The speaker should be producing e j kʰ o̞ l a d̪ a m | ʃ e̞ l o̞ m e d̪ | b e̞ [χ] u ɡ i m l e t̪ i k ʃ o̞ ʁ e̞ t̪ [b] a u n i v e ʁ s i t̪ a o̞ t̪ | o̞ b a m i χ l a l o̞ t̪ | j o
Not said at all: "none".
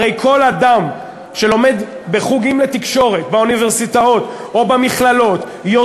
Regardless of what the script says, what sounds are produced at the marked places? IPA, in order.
χ, b

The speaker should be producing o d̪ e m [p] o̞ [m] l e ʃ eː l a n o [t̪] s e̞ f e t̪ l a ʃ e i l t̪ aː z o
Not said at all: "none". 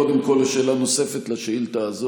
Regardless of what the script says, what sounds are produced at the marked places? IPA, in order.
k, none, none

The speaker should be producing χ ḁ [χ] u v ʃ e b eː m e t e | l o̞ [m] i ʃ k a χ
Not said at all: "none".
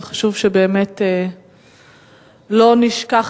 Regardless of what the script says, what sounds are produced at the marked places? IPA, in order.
ʃ, n

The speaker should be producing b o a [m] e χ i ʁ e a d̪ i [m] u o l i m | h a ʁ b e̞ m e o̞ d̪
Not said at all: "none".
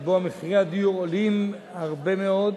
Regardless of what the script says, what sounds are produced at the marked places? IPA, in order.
m, none

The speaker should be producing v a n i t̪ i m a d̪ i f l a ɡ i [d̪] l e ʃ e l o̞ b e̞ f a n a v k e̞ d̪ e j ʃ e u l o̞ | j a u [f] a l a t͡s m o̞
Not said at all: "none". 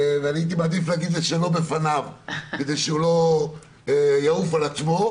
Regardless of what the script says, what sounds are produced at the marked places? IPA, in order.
d̪, f

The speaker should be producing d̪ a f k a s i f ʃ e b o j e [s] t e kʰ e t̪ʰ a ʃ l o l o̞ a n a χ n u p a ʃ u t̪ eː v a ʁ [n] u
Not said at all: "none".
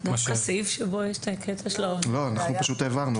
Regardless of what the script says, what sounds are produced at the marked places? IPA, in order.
ʃ, n

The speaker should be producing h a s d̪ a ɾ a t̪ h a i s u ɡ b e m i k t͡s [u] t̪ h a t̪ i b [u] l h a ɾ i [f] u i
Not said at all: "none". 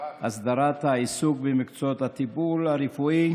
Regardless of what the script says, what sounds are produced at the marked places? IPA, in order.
o, u, f

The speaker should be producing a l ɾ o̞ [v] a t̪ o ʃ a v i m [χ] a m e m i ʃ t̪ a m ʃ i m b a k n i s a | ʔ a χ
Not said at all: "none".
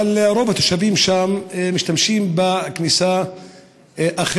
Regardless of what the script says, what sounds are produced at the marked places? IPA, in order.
v, ʃ

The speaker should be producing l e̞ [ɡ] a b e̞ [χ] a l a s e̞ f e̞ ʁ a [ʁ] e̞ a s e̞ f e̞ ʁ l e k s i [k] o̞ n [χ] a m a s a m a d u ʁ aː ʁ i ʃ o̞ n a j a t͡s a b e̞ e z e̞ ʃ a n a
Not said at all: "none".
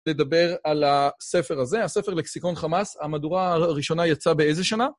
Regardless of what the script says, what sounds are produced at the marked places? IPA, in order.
d, ʁ, z, k, χ

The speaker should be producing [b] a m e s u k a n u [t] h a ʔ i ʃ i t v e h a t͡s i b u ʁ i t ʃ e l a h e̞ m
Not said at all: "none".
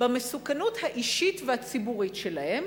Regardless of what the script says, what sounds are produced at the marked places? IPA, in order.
b, t

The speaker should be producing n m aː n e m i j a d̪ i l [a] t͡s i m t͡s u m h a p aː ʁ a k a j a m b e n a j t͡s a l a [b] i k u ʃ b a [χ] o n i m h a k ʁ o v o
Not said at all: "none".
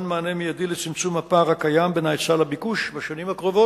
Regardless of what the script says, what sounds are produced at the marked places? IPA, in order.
e, b, ʃ

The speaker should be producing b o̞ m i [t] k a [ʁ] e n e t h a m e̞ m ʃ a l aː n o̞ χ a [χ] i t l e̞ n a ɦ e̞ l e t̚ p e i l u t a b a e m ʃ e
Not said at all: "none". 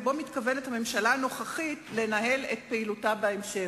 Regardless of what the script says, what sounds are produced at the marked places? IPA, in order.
t, v, χ

